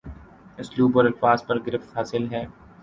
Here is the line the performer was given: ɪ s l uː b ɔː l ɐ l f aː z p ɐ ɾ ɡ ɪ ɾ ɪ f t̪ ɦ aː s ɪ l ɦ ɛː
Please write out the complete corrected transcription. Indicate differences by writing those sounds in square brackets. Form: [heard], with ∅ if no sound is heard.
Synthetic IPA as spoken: ɪ s l uː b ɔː [ɾ] ɐ l f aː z p ɐ ɾ ɡ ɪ ɾ ɪ f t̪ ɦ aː s ɪ l ɦ ɛː

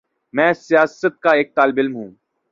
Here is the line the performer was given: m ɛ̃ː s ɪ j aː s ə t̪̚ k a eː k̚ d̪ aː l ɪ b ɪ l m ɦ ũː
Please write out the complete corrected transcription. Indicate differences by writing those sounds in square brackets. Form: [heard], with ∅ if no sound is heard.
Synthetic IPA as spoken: m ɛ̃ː s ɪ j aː s ə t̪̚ k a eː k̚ [t̪] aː l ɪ b ɪ l m ɦ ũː

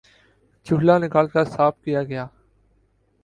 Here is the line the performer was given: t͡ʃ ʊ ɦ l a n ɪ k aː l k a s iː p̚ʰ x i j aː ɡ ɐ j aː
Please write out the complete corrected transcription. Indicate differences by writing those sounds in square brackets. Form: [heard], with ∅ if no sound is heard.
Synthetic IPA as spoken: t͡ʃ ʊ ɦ l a n ɪ k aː l k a s [aː] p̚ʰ [k] i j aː ɡ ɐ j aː

